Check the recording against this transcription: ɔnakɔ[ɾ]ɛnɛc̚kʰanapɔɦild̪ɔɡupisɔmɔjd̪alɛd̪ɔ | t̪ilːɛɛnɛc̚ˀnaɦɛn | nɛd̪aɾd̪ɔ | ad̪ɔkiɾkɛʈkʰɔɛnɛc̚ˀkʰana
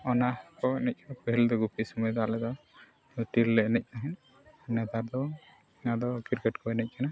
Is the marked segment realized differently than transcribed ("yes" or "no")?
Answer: yes